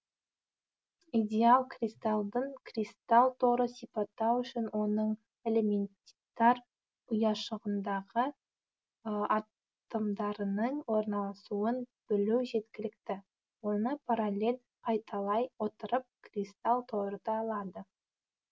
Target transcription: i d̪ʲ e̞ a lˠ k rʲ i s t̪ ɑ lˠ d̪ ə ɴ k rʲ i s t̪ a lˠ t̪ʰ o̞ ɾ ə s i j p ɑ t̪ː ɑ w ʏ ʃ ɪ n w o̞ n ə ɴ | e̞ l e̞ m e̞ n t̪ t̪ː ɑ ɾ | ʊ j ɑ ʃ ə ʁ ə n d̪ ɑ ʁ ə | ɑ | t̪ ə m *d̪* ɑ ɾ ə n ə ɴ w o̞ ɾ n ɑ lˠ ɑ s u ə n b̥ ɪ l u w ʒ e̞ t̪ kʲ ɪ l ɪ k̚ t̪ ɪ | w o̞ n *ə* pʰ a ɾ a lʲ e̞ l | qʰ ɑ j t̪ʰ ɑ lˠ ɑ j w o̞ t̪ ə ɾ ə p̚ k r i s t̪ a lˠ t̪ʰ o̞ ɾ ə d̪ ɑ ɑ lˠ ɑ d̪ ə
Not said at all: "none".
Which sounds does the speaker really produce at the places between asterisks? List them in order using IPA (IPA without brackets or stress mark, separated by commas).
d̪, ə